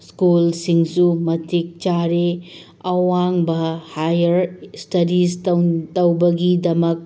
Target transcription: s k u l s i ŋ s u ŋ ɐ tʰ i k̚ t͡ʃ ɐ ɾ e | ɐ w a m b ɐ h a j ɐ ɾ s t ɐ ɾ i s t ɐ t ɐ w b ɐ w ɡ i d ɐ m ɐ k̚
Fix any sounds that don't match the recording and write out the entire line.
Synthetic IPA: s k u l s i ŋ s u m ɐ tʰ i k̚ t͡ʃ a ɾ e | ɐ w a ŋ b ɐ h a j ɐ ɾ s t ɐ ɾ i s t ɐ t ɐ w b ɐ ɡ i d ɐ m ɐ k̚